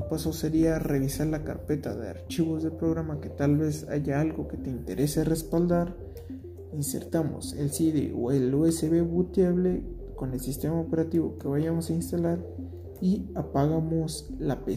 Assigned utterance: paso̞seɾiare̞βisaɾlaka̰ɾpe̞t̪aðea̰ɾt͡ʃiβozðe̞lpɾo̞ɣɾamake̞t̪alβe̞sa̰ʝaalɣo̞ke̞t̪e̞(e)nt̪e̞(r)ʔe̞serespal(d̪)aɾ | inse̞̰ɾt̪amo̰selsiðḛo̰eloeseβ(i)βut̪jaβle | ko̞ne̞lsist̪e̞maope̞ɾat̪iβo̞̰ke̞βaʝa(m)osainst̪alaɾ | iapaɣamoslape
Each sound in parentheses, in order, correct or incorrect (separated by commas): incorrect, incorrect, correct, incorrect, correct